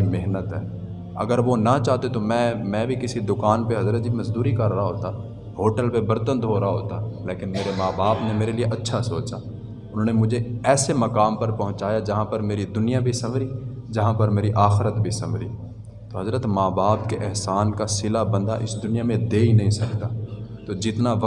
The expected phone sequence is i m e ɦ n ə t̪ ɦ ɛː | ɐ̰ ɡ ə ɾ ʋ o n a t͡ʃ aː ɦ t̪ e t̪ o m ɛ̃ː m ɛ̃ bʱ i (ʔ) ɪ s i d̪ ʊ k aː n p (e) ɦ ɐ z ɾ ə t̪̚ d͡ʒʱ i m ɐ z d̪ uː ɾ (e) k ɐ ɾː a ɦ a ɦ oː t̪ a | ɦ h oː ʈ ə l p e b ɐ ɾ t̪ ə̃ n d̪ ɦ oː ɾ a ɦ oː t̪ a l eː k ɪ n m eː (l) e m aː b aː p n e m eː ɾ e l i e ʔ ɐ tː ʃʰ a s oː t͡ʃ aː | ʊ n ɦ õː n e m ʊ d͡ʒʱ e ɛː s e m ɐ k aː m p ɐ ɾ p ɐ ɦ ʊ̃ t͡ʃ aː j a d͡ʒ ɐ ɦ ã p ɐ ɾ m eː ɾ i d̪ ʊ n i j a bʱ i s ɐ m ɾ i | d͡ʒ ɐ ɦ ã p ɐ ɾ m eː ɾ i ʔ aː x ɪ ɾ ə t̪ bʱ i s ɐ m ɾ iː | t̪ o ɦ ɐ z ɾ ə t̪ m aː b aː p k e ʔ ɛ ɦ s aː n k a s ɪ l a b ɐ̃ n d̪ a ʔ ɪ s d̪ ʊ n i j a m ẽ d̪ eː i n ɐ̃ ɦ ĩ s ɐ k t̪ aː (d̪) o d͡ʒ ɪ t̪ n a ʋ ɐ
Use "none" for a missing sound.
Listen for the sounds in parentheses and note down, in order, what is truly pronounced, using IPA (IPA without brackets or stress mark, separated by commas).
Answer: k, e, i, ɾ, t̪